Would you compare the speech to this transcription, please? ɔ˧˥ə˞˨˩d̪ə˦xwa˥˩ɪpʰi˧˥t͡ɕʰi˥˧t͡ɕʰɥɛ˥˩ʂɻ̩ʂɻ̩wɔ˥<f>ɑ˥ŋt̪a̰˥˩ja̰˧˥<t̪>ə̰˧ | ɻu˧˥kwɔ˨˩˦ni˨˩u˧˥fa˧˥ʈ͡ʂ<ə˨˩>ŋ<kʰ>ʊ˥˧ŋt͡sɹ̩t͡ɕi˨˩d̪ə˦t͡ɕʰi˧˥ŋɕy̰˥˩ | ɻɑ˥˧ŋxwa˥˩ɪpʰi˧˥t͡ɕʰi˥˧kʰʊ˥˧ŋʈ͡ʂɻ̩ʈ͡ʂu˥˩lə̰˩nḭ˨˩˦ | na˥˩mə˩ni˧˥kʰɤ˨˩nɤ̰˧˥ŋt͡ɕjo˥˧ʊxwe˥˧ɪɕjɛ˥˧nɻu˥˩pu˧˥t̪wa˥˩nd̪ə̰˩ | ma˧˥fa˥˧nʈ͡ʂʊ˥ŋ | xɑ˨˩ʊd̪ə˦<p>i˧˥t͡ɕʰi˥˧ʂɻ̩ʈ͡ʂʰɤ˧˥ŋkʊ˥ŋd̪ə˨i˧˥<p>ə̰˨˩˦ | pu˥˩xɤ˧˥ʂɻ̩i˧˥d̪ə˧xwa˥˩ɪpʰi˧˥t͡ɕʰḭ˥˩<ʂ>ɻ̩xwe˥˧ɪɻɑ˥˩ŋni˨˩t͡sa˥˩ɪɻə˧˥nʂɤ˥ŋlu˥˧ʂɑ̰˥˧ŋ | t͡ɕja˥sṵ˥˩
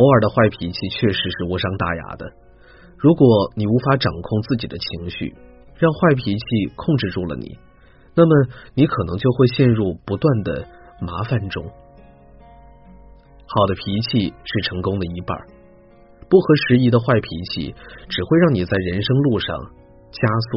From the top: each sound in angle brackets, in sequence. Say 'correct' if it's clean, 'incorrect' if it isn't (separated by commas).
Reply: incorrect, incorrect, incorrect, correct, incorrect, correct, incorrect